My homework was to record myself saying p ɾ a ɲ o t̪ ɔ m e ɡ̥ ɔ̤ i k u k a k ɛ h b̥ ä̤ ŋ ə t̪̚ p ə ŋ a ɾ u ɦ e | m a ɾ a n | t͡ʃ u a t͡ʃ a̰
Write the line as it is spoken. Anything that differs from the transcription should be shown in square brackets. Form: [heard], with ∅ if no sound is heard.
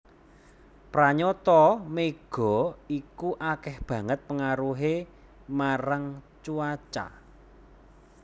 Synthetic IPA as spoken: p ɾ a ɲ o t̪ ɔ m e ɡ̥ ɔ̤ i k u [ʔ] a k ɛ h b̥ ä̤ ŋ ə t̪̚ p ə ŋ a ɾ u ɦ e | m a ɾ a [ŋ] | t͡ʃ u a t͡ʃ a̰